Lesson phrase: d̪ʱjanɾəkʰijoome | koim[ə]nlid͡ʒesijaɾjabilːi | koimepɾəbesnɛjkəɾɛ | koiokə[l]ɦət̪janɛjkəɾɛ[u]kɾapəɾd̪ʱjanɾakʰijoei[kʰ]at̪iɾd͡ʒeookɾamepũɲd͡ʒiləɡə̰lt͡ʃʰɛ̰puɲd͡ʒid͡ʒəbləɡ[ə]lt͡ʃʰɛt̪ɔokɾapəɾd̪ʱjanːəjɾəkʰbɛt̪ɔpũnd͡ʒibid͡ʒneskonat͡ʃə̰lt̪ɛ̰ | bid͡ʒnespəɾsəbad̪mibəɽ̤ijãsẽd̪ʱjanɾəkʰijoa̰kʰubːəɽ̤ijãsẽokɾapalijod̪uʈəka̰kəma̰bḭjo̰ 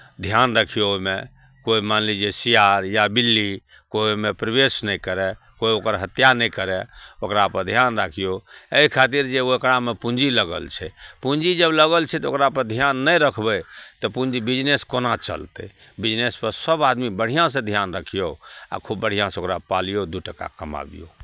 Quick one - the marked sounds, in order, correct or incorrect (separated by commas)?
incorrect, incorrect, incorrect, correct, correct